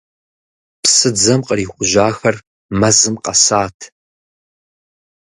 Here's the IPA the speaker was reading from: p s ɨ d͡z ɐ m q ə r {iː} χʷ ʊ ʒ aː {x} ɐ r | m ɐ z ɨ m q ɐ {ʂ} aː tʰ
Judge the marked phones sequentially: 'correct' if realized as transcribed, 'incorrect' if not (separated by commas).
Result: correct, correct, incorrect